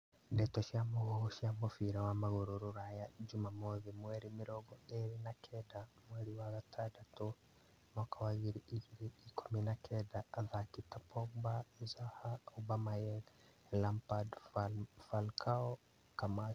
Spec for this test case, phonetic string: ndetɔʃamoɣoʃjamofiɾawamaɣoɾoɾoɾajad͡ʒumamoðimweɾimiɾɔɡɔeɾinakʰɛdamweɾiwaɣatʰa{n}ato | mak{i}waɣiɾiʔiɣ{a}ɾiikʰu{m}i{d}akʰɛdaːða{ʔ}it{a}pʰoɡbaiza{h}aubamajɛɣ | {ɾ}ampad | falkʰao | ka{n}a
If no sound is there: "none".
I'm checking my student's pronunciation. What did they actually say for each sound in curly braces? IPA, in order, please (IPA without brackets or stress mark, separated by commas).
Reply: d, a, i, m, n, k, a, h, l, m